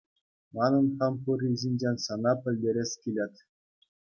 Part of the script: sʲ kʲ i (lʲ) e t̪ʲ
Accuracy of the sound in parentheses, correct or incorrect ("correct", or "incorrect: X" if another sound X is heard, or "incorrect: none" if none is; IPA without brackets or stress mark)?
correct